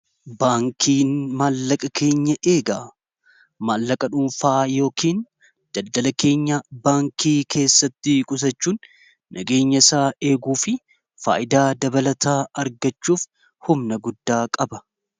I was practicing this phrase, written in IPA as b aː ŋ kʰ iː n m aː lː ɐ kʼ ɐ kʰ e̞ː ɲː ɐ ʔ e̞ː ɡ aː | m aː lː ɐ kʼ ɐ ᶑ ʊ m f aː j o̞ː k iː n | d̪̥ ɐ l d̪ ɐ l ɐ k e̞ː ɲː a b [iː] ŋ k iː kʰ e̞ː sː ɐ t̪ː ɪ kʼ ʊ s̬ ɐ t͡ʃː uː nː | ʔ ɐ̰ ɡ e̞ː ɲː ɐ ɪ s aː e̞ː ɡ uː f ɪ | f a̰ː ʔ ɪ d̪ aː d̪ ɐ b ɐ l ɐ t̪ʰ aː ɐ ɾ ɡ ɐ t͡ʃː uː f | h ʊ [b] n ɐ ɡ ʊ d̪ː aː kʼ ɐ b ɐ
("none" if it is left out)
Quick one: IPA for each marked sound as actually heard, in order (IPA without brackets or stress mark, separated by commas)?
aː, m